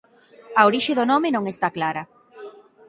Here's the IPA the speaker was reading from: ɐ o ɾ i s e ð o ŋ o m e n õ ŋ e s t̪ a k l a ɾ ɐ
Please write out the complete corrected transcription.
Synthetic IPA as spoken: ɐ o ɾ i ʃ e ð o n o m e n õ ŋ e s t̪ a k l a ɾ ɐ

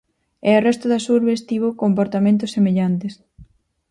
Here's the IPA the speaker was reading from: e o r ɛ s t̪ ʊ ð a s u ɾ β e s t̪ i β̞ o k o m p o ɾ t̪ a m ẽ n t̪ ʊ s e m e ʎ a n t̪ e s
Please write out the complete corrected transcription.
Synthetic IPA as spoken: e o r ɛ s t̪ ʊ ð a s u ɾ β e s t̪ i β̞ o k o m p o ɾ t̪ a m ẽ n t̪ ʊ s e m e ʎ a n t̪ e s

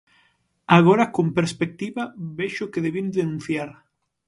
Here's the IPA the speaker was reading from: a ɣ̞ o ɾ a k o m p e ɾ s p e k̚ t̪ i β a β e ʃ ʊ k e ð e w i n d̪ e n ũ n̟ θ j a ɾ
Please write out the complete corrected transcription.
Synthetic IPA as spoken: a ɣ̞ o ɾ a k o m p e ɾ s p e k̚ t̪ i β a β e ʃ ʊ k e ð e β i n d̪ e n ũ n̟ θ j a ɾ

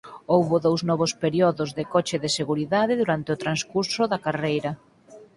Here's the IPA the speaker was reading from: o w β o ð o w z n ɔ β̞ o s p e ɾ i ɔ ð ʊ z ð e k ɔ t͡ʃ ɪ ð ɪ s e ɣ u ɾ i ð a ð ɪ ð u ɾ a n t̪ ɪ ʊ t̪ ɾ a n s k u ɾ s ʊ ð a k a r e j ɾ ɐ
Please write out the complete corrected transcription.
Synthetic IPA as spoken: o w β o ð o w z n ɔ β̞ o s p e ɾ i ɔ ð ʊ z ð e k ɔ t͡ʃ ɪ ð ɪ s e ɣ u ɾ i ð a ð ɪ ð u ɾ a n t̪ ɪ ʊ t̪ ɾ a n s k u ɾ s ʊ ð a k a r e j ɾ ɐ

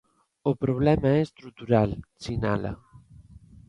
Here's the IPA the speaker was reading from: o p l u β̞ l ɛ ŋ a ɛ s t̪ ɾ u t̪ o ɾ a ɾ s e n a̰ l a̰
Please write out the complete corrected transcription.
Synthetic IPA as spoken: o p ɾ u β̞ l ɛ m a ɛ s t̪ ɾ u t̪ u ɾ a l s i n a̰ l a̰

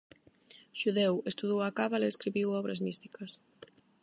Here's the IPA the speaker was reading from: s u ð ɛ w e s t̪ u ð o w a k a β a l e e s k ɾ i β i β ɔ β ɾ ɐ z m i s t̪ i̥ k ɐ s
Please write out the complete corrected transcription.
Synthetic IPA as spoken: ʃ u ð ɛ w e s t̪ u ð o w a k a β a l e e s k ɾ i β i w ɔ β ɾ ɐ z m i s t̪ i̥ k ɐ s

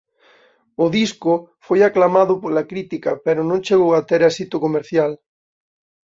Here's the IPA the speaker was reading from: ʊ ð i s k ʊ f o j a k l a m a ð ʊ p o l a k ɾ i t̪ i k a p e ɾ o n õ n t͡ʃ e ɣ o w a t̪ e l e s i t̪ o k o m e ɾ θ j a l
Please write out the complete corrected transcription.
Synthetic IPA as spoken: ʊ ð i s k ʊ f o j a k l a m a ð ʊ p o l a k ɾ i t̪ i k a p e ɾ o n õ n t͡ʃ e ɣ o w a t̪ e ɾ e s i t̪ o k o m e ɾ θ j a l

